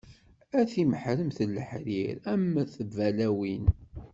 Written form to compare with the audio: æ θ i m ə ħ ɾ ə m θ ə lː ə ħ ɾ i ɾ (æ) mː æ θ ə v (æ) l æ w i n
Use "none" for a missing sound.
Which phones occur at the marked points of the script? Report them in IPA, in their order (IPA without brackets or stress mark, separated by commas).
æ, æ